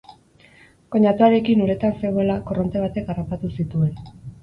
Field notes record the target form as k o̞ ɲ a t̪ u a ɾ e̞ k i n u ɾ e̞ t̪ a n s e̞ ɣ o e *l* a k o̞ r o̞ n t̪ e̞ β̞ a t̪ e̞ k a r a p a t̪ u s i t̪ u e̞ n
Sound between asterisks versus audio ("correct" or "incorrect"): correct